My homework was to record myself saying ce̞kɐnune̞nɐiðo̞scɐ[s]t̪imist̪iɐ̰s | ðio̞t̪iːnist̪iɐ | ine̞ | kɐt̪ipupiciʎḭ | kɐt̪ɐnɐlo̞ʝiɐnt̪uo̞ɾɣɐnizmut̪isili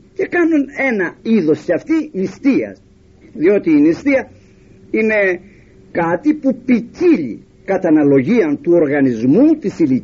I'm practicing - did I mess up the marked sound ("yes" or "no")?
yes